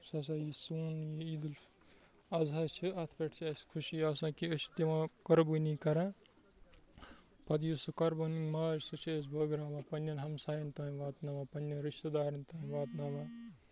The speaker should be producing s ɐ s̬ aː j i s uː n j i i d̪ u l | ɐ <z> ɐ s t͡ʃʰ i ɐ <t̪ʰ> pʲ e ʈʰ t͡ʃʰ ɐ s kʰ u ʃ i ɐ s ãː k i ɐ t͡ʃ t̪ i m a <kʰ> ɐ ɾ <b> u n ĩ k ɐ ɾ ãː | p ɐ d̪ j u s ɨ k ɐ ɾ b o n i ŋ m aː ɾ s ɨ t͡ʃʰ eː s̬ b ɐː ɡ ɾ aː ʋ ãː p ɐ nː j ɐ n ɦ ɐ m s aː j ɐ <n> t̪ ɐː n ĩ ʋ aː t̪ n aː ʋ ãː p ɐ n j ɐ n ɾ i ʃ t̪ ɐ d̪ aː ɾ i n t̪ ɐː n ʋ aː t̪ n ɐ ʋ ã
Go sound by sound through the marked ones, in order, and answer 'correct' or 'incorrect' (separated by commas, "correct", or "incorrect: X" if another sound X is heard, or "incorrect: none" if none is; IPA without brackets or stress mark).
correct, correct, incorrect: k, correct, correct